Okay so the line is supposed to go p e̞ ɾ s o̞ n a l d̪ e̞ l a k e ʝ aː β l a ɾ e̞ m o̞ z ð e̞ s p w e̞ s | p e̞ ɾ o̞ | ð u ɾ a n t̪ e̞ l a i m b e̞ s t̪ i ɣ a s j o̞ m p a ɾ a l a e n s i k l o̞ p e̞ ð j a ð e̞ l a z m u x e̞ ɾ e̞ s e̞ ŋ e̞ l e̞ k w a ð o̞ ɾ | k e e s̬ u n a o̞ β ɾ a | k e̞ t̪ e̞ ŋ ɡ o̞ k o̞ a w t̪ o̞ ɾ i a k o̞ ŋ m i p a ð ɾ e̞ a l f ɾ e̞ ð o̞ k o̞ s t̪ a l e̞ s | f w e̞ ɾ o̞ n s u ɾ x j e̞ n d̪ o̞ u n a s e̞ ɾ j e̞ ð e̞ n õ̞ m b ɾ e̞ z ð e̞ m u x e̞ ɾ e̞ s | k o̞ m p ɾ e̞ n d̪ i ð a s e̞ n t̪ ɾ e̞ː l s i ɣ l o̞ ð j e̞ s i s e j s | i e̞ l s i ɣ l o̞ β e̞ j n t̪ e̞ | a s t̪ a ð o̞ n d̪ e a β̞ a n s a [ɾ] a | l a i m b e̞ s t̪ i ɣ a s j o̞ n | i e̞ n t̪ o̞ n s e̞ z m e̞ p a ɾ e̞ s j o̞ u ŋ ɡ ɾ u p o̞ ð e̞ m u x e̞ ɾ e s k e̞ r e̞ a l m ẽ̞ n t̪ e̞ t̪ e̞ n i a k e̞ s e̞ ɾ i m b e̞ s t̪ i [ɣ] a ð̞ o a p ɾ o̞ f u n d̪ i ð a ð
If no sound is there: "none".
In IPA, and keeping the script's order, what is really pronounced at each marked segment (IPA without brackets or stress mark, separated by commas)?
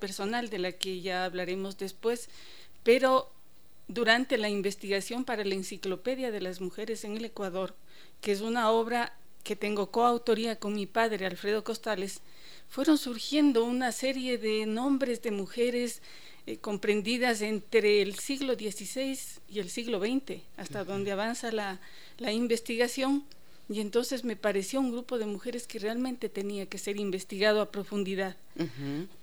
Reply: l, ɣ